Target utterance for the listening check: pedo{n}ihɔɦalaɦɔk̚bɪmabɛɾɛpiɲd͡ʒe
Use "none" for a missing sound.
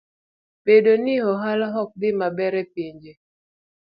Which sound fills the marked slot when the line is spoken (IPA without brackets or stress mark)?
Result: n